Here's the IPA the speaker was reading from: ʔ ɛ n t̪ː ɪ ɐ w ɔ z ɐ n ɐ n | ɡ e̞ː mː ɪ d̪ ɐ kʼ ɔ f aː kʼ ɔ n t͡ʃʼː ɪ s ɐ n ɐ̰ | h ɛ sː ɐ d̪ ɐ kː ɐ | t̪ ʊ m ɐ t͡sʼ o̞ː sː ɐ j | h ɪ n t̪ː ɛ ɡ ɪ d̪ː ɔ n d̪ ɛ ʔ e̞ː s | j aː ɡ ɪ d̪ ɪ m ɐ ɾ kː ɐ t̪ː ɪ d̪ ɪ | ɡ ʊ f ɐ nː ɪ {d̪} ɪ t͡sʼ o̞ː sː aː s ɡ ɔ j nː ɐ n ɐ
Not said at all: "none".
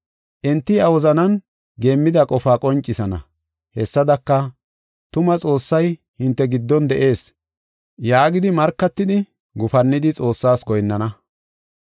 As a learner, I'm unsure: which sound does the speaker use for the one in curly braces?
d̪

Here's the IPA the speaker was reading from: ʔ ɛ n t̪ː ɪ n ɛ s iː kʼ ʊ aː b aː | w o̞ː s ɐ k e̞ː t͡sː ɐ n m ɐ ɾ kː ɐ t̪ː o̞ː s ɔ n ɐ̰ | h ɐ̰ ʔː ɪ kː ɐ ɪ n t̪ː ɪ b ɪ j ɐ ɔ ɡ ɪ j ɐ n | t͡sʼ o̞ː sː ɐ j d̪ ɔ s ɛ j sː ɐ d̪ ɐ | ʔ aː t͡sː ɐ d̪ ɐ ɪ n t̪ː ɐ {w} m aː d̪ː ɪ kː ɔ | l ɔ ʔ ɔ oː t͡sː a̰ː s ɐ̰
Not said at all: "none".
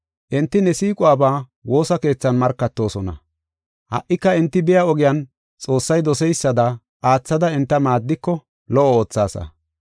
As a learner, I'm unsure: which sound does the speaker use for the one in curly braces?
none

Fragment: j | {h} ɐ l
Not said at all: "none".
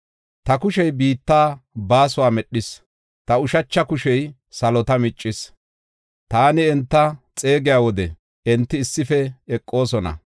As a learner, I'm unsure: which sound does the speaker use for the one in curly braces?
s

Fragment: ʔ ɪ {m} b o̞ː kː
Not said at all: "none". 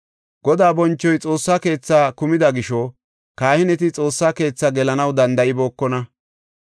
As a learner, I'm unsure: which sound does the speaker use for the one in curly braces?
none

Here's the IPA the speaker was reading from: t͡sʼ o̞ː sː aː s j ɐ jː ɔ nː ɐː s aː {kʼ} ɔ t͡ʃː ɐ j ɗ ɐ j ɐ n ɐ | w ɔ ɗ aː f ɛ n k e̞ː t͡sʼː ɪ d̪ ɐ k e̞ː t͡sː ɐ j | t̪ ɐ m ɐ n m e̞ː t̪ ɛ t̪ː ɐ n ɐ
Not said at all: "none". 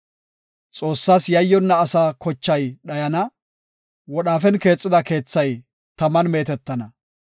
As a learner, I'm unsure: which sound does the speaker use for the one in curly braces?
k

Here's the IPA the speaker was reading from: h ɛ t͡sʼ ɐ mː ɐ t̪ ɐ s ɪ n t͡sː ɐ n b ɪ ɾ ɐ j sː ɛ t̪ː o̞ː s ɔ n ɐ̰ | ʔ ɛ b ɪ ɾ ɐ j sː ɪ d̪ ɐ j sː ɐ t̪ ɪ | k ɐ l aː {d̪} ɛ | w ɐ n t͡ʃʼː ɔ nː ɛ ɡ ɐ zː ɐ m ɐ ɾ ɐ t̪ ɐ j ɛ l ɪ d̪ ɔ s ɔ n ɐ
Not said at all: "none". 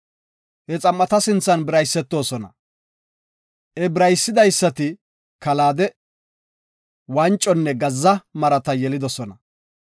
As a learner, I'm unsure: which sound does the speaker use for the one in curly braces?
d̪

